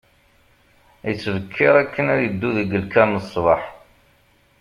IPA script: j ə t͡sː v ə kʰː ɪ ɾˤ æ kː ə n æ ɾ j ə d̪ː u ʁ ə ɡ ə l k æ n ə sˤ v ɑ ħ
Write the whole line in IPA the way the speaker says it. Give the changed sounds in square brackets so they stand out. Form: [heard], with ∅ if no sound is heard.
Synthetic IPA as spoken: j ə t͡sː v ə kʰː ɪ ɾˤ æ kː ə n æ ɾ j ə d̪ː u [ð] ə ɡ ə l k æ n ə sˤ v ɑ ħ